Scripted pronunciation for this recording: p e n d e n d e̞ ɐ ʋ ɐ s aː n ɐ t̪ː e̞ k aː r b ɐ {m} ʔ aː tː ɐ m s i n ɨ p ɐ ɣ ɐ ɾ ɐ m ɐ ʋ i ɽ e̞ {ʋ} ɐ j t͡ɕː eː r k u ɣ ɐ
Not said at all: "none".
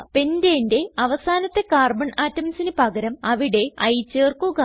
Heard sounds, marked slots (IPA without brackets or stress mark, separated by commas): ɳ, none